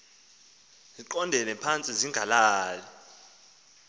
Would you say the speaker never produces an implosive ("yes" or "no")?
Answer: yes